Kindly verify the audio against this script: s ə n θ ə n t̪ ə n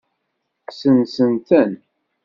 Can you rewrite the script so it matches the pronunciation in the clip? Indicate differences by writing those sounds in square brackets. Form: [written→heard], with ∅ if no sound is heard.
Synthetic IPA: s ə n [θ→s] ə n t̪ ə n